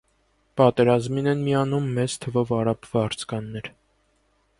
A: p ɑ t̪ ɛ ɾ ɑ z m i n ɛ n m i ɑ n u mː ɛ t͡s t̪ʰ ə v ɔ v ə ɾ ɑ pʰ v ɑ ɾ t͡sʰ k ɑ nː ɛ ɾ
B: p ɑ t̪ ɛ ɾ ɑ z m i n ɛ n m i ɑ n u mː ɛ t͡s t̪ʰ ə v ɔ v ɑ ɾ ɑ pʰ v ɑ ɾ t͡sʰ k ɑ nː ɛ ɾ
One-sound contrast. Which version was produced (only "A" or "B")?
B